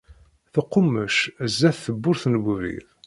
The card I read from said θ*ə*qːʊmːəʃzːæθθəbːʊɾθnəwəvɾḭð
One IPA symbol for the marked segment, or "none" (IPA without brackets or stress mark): ə